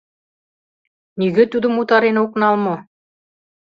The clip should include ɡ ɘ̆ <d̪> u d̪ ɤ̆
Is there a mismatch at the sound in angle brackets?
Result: yes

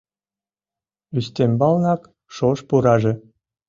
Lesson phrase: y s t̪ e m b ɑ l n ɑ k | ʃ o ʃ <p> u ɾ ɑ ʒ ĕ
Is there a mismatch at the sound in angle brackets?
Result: no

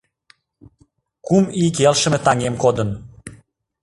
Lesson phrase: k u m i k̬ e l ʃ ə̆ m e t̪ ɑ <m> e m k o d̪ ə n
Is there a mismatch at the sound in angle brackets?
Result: yes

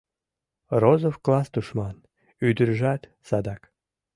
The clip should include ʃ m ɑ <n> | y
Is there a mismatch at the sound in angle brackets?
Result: no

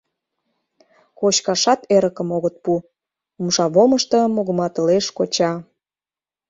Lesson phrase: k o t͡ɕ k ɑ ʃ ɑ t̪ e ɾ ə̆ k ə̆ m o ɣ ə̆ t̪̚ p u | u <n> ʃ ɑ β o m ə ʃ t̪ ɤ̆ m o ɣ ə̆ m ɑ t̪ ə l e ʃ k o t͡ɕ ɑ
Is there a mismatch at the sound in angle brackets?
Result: yes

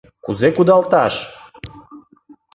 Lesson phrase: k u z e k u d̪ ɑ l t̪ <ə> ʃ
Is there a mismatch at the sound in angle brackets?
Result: yes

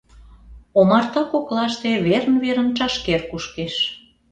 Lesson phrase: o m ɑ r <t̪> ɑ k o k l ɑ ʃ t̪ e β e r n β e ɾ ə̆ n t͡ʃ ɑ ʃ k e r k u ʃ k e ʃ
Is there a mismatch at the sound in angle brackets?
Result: no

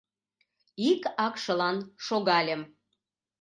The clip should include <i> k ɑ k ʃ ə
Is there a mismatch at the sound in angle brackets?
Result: no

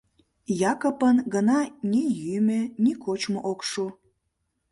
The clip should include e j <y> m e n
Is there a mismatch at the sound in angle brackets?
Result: no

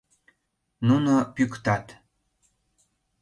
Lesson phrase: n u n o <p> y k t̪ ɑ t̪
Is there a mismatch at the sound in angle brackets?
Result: no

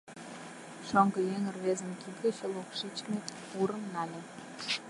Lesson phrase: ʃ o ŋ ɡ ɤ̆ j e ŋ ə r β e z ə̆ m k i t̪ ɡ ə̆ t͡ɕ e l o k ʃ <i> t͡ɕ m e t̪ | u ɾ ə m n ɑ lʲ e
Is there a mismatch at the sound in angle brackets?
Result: no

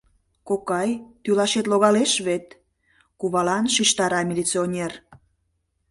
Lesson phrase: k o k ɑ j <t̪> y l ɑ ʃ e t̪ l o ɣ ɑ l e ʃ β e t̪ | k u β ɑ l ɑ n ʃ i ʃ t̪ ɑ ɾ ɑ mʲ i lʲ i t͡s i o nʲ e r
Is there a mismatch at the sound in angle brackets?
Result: no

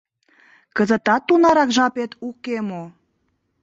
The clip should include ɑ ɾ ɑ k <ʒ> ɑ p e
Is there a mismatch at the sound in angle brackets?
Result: no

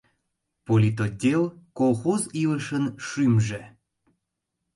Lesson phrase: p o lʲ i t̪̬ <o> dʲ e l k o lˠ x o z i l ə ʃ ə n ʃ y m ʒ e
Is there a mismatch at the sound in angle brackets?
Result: no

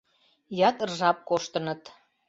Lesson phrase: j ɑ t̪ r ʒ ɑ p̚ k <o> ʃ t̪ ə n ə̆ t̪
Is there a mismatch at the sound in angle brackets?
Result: no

